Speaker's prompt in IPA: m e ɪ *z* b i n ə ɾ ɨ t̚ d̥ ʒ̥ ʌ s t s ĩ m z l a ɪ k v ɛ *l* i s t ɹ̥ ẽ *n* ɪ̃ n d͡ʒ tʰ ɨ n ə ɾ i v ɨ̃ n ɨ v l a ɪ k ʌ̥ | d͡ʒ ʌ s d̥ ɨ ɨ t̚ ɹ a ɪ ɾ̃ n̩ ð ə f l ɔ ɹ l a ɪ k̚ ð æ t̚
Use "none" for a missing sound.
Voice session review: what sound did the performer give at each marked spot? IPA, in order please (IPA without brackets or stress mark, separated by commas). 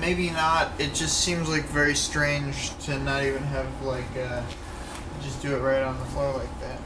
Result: none, ɹ, none